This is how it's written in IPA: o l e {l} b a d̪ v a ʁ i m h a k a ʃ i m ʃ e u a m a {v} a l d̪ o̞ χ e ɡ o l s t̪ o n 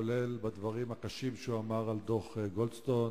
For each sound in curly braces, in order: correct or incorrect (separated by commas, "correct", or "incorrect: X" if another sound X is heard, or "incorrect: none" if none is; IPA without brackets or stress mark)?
correct, incorrect: ʁ